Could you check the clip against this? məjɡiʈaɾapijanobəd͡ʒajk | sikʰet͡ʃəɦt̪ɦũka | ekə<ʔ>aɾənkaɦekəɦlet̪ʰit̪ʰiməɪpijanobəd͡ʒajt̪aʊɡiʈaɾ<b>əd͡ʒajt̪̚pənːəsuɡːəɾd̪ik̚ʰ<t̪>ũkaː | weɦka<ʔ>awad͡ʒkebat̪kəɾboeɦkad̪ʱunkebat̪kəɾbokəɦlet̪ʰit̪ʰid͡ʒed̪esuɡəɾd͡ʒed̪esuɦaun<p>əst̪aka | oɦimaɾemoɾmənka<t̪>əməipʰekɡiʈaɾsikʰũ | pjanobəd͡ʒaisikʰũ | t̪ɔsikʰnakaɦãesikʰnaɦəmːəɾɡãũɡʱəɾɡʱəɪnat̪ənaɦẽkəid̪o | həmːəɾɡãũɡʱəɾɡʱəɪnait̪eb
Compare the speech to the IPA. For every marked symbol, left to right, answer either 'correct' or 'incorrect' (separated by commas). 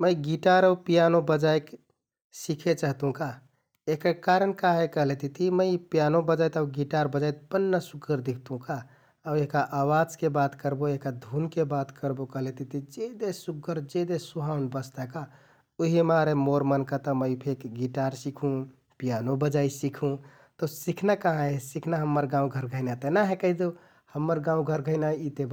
incorrect, correct, correct, correct, incorrect, correct